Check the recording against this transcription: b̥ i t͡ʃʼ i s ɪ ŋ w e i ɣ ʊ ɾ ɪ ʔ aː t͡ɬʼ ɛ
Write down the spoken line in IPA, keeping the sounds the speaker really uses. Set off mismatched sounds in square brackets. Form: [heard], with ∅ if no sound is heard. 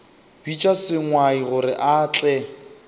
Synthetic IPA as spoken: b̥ i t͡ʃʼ [a] s ɪ ŋ w [a] i ɣ ʊ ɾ ɪ ʔ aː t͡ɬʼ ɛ

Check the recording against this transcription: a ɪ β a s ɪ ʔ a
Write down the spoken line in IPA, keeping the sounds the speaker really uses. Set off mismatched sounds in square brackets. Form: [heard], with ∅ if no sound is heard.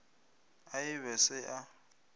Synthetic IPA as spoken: a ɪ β [ɛ] s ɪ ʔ a

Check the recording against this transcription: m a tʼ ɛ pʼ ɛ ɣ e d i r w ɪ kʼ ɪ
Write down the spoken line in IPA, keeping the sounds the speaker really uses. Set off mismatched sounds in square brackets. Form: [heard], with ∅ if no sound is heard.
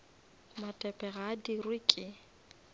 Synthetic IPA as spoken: m a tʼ ɛ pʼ ɛ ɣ [a] d i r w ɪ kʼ ɪ

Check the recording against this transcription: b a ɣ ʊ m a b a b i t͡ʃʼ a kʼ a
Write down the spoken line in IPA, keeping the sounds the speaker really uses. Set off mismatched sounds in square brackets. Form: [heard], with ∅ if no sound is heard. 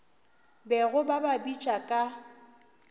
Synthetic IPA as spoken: b [ɛ] ɣ ʊ [b] a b a b i t͡ʃʼ a kʼ a

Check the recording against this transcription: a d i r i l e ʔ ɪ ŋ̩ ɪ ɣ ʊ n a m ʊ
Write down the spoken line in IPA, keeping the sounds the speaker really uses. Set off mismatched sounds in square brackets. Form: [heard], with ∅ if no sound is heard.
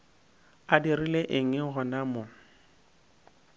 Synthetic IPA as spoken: a d i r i l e ʔ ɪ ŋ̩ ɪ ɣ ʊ n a m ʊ

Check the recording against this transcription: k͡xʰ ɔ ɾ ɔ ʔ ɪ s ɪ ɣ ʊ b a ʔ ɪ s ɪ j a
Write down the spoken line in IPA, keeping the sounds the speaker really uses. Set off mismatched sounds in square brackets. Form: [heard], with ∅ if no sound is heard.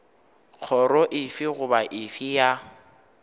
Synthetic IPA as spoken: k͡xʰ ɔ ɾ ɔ ʔ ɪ [f] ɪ ɣ ʊ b a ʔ ɪ [f] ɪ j a

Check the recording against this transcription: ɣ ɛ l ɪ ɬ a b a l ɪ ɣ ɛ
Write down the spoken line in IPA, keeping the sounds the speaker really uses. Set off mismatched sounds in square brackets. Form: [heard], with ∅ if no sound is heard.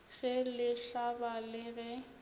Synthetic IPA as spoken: ɣ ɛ l ɪ ɬ a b a l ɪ ɣ ɛ

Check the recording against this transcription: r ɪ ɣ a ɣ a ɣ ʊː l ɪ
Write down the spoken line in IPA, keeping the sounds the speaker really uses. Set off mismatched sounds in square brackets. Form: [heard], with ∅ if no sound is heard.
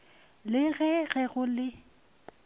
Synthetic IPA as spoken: [l] ɪ ɣ [ɛ] ɣ [ɛ] ɣ [ʊ] l ɪ

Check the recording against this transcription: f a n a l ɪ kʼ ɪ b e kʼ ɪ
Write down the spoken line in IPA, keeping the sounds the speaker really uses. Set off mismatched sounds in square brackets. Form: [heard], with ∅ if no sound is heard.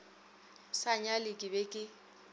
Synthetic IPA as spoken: [s] a [ɲ] a l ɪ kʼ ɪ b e kʼ ɪ

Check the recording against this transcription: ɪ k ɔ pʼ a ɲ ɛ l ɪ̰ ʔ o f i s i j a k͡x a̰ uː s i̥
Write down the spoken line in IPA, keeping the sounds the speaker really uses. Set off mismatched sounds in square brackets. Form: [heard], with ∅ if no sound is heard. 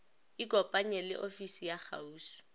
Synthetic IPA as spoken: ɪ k ɔ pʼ a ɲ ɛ l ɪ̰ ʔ o f i s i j a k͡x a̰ uː s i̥

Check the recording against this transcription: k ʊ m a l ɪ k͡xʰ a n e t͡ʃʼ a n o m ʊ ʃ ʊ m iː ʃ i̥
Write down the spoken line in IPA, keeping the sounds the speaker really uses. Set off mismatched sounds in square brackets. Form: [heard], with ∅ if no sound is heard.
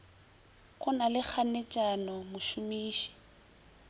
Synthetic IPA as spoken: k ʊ [n] a l ɪ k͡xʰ a n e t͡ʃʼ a n [ɔ] m ʊ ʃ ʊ m iː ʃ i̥

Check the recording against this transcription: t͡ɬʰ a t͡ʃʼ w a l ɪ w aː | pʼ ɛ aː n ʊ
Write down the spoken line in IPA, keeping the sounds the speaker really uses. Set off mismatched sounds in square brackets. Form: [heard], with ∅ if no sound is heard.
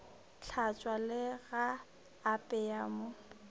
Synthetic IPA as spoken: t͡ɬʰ a t͡ʃʼ w a l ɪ [ɣ] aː | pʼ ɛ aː [m] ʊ

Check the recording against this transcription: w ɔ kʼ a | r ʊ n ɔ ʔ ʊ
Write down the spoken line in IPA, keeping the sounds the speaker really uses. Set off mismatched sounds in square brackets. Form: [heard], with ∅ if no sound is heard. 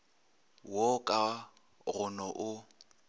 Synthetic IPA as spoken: w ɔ kʼ a | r ʊ n ɔ ʔ ʊ

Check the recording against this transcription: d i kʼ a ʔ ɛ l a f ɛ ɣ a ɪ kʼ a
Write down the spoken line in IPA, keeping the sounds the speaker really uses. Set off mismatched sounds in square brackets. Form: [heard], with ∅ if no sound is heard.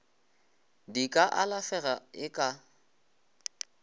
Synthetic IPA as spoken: d i kʼ a ʔ [a] l a f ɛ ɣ a ɪ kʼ a

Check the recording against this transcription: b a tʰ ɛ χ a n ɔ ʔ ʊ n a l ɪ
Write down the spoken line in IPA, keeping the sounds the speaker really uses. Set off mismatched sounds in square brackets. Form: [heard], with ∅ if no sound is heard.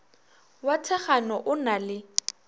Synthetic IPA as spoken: [w] a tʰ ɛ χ a n ɔ ʔ ʊ n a l ɪ

